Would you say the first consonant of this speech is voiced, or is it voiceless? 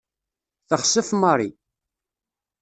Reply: voiceless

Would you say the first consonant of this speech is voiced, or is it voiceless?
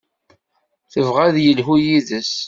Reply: voiceless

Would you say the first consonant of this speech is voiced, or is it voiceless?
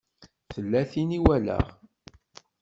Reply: voiceless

